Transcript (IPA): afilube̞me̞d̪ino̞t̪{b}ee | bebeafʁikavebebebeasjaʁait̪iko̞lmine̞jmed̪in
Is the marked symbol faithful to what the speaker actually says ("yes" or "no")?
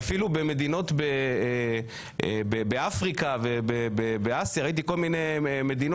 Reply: yes